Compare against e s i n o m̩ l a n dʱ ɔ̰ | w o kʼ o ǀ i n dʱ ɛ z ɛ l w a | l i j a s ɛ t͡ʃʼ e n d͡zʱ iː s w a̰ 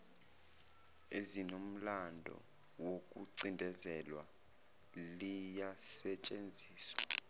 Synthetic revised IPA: e z i n o m̩ l a n dʱ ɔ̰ | w o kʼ u ǀ i n dʱ ɛ z ɛ l w a | l i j a s ɛ t͡ʃʼ e n d͡zʱ iː s w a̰